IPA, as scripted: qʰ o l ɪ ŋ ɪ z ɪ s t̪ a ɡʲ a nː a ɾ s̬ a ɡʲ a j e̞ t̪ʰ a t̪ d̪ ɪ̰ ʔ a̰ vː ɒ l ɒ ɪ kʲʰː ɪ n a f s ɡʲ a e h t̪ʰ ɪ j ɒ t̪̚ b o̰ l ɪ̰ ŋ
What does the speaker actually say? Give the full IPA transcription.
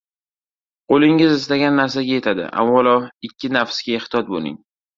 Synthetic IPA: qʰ o l ɪ ŋ ɪ z ɪ s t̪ a ɡʲ a nː a ɾ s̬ a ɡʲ a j e̞ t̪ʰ a d̪ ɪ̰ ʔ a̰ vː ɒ l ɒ ɪ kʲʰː ɪ n a f s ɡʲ a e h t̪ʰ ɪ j ɒ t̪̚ b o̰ l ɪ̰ ŋ